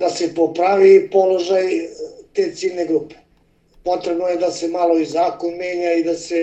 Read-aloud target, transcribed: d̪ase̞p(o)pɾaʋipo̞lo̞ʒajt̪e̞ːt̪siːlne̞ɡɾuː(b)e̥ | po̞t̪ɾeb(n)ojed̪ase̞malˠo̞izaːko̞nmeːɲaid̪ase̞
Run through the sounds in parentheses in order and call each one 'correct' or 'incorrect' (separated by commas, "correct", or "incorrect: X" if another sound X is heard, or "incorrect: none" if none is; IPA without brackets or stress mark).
correct, incorrect: p, correct